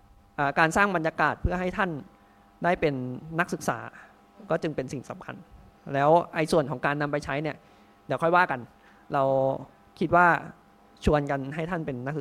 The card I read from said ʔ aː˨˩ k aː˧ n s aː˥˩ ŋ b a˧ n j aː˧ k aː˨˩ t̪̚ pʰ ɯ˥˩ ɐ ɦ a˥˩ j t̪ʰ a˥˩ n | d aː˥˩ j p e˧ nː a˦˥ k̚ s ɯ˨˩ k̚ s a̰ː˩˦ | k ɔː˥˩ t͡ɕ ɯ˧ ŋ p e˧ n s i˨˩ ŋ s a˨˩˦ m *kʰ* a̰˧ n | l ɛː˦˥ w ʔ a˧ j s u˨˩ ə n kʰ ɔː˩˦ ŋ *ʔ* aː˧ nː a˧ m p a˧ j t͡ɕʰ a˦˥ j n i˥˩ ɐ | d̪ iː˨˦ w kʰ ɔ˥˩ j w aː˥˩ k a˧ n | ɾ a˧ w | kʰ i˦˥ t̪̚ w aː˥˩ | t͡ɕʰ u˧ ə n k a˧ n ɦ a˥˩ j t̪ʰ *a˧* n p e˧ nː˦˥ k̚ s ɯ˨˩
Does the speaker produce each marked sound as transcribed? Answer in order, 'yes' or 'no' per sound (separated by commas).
yes, no, no